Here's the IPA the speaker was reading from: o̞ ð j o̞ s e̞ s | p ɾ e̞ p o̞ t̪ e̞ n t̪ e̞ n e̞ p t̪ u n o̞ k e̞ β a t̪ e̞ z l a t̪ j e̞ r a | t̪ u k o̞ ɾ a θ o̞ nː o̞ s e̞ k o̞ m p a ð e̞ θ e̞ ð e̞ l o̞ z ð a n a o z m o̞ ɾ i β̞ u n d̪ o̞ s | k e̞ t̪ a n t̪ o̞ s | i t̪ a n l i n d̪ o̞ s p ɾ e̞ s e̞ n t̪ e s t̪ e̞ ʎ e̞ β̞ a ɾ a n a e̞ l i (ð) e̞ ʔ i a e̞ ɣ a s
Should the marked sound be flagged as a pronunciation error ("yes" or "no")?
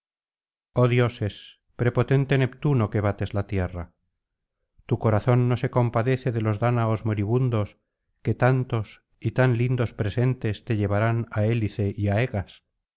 yes